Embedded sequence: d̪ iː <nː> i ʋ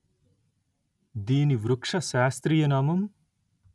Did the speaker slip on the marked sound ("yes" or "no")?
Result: yes